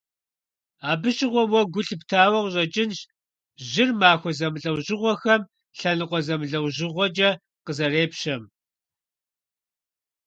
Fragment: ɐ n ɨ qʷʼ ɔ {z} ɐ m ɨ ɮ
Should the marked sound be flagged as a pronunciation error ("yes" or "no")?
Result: no